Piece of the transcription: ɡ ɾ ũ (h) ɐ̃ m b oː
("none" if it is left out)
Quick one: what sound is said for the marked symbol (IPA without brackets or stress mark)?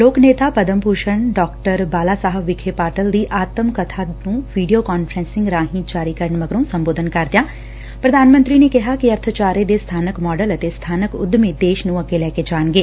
s